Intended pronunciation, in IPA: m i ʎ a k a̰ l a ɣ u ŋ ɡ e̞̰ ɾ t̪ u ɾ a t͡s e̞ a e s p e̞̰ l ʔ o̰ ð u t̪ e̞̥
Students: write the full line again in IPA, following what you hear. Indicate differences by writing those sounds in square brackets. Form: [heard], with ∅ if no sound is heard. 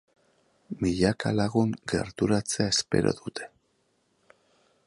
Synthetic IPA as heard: m i ʎ a k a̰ l a ɣ u ŋ ɡ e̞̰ ɾ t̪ u ɾ a t͡s e̞ a e s p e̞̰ [ɾ] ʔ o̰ ð u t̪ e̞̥